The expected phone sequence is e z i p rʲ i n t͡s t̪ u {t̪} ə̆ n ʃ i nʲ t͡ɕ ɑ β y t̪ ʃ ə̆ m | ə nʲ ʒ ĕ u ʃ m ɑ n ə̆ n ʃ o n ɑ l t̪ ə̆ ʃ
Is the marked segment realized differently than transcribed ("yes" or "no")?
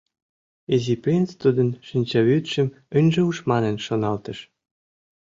yes